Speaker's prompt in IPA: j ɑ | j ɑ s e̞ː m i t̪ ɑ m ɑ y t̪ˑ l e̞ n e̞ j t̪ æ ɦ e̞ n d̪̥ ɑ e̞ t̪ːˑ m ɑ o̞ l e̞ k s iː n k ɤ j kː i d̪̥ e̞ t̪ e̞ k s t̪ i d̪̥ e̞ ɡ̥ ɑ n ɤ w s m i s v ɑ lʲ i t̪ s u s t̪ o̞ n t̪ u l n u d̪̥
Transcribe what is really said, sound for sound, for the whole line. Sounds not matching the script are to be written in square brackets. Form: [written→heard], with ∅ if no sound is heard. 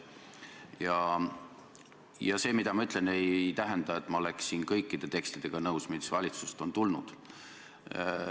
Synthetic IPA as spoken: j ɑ | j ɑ s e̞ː m i [t̪→d̪] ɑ m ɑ y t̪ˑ l e̞ n e̞ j t̪ æ ɦ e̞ n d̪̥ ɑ e̞ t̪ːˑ m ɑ o̞ l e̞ k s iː n k ɤ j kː i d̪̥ e̞ t̪ e̞ k s t̪ i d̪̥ e̞ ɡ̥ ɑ n ɤ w s m i s v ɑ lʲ i t̪ s u s t̪ o̞ n t̪ u l n u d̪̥